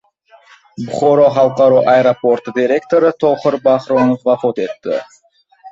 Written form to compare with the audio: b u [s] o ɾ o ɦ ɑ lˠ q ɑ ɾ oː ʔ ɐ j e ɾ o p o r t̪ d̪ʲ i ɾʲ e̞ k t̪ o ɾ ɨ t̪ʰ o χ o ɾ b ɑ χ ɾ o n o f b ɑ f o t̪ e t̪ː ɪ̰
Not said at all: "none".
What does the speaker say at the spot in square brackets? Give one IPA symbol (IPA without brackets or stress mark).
χ